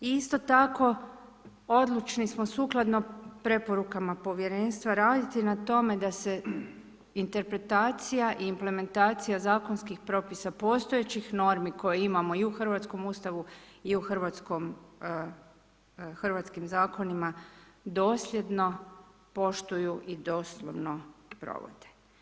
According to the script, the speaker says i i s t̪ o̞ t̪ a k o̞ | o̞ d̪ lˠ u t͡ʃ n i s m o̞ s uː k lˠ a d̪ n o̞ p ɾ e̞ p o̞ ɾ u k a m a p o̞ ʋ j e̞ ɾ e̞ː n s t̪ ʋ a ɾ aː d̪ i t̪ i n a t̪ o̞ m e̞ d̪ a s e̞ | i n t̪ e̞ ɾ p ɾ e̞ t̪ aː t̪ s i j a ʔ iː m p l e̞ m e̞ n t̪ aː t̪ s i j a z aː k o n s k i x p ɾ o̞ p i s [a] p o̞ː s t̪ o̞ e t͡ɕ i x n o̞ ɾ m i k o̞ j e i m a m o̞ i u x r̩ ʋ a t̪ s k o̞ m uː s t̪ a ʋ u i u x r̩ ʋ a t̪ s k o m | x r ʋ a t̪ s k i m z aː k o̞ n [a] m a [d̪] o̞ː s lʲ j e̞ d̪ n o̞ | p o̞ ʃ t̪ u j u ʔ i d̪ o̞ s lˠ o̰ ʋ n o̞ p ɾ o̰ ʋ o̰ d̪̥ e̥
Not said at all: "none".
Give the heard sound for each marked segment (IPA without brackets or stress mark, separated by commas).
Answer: a, i, d̪